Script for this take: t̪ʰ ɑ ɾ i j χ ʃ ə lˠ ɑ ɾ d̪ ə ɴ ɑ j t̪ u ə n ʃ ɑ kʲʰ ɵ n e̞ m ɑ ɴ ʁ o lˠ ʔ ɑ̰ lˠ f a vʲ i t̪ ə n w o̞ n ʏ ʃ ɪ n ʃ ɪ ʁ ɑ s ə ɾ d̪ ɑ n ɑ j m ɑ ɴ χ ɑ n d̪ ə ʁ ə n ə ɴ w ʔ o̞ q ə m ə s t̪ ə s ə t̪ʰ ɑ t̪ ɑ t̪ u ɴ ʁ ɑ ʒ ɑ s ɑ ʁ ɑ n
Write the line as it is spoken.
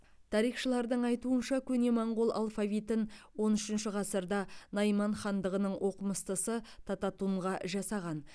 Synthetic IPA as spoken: t̪ʰ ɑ ɾ i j χ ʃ ə lˠ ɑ ɾ d̪ ə ɴ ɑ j t̪ u ə n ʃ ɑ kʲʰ ɵ n e̞ m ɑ ɴ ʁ o lˠ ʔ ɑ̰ lˠ f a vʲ i t̪ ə n w o̞ n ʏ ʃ ɪ n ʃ ɪ ʁ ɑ s ə ɾ d̪ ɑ n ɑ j m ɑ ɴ χ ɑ n d̪ ə ʁ ə n ə ɴ w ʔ o̞ q ə m ə s t̪ ə s ə t̪ʰ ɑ t̪ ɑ t̪ u ɴ ʁ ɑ ʒ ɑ s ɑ ʁ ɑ n